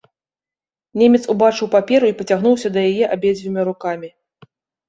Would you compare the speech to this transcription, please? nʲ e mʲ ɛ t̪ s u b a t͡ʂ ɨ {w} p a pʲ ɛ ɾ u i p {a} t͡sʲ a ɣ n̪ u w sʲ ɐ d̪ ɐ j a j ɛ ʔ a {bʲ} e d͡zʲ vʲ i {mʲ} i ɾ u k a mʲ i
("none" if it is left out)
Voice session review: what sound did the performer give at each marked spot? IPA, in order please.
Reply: w, ɐ, bʲ, mʲ

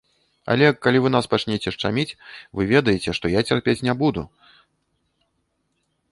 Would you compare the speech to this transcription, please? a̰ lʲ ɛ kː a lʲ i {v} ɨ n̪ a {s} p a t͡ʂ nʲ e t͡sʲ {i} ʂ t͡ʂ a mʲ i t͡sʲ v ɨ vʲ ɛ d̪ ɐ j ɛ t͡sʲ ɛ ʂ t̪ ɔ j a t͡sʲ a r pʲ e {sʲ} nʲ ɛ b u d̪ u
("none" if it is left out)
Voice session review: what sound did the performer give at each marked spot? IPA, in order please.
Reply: v, s, ɛ, t͡sʲ

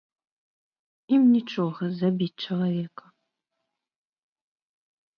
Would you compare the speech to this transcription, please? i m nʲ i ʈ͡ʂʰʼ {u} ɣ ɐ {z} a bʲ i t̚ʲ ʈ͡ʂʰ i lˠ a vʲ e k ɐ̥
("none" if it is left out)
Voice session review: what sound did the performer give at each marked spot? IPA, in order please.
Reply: o, z

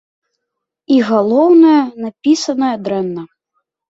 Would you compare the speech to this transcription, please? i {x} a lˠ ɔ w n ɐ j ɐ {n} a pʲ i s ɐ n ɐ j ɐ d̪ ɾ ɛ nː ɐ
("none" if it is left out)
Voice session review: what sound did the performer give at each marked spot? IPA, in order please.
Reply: ɣ, n

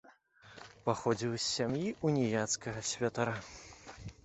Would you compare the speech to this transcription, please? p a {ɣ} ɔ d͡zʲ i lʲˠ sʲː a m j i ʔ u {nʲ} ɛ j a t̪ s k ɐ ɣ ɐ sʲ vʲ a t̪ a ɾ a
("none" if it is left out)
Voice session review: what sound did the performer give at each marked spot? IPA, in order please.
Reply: x, nʲ

